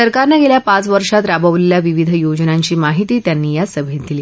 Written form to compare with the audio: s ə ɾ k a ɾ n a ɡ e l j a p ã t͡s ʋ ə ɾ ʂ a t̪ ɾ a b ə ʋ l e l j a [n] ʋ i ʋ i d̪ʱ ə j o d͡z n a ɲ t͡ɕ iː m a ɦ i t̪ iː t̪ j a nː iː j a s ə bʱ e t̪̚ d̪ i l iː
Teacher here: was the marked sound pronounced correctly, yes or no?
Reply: no